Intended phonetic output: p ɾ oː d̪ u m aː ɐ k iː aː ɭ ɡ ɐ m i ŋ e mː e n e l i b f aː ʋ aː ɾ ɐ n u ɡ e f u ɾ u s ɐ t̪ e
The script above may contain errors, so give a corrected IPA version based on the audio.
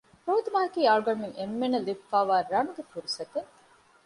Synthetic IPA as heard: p ɾ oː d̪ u m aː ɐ k iː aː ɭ ɡ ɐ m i ŋ e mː e n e l i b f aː ʋ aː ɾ ɐ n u ɡ e f u ɾ u s ɐ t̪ e